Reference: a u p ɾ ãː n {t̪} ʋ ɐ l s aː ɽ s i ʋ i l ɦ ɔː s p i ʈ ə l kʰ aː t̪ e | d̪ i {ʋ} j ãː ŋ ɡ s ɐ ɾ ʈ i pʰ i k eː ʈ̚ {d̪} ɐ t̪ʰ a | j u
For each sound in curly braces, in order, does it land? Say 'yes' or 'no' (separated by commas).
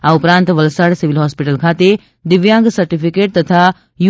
yes, yes, no